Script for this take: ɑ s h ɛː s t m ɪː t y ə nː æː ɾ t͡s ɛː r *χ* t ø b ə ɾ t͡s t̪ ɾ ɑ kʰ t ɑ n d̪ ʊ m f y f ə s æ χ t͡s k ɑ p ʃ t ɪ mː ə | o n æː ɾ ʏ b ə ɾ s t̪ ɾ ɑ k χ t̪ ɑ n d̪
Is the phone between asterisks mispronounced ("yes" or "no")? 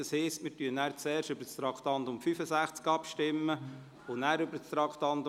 yes